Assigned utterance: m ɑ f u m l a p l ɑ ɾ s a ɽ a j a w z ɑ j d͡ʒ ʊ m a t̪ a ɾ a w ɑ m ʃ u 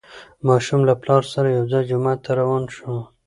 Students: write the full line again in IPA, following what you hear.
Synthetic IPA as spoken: m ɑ ʃ u m l a p l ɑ ɾ s a ɾ a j a w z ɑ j d͡ʒ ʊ m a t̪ a ɾ a w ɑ n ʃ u